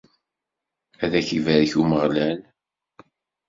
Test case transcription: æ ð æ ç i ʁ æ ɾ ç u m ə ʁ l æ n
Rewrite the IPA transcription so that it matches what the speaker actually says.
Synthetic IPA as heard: æ ð æ ç i v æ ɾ ç u m ə ʁ l æ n

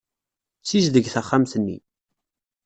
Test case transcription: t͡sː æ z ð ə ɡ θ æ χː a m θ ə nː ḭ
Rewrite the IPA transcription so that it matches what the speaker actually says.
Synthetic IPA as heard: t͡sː i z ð ə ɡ θ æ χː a m θ ə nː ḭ

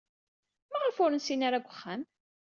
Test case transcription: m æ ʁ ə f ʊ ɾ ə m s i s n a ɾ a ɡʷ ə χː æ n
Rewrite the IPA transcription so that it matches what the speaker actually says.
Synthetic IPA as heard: m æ ʁ ə f ʊ ɾ ə n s i n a ɾ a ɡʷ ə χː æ m

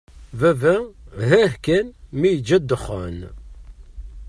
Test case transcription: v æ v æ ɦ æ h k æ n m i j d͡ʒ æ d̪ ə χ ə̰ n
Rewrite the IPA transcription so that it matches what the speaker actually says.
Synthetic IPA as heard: v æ v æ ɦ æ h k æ n m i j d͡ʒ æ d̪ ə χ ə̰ n

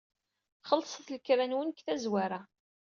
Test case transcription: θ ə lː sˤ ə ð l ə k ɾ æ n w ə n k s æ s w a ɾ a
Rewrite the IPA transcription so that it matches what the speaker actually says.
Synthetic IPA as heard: χ ə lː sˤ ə θ l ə k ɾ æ n w ə n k θ æ z w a ɾ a

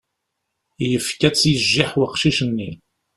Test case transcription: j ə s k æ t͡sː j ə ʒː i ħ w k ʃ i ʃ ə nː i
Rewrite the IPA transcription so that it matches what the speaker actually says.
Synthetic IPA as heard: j ə f k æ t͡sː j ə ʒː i ħ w q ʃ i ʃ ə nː i

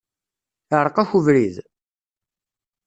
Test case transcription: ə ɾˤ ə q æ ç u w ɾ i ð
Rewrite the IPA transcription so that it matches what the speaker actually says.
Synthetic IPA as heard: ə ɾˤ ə q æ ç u v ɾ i ð

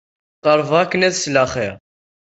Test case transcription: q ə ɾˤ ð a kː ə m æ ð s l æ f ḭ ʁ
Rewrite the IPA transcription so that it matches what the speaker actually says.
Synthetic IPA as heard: q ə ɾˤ v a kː ə n æ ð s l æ χ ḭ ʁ

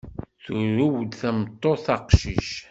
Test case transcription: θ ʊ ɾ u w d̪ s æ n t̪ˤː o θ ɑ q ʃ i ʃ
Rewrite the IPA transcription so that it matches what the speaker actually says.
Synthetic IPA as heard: θ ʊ ɾ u w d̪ θ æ m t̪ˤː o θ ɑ q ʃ i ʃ

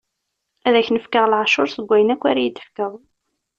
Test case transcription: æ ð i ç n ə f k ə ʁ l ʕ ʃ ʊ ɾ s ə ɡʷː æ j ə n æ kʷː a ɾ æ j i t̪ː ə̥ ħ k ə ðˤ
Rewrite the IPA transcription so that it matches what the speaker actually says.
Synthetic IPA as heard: æ ð æ ç n ə f k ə ʁ l ʕ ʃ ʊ ɾ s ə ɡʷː æ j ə n æ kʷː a ɾ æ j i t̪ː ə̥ f k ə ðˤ

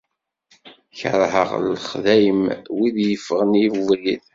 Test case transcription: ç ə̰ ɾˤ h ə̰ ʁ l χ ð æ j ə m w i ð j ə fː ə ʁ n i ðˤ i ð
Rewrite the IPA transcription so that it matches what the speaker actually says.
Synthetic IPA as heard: ç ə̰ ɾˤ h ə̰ ʁ l χ ð æ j ə m w i ð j ə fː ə ʁ n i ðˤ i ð

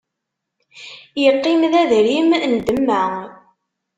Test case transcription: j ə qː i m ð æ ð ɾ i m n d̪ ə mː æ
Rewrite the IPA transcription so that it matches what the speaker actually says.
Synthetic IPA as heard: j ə qː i m ð æ ð ɾ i m n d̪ ə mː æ

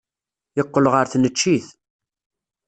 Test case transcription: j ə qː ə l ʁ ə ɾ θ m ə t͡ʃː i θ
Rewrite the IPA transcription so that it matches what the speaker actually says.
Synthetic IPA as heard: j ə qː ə l ʁ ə ɾ θ n ə t͡ʃː i θ

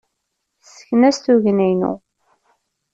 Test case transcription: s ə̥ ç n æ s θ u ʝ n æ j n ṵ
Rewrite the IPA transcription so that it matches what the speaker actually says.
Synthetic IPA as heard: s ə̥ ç n æ s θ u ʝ n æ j n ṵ

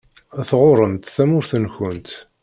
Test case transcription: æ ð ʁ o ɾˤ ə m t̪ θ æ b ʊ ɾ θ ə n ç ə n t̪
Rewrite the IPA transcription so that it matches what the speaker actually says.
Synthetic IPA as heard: æ θ ʁ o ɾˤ ə m t̪ θ æ m ʊ ɾ θ ə n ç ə n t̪

